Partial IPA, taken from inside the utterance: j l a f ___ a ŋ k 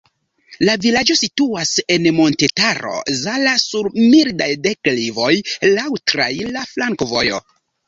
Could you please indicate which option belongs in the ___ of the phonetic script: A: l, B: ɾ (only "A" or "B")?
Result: A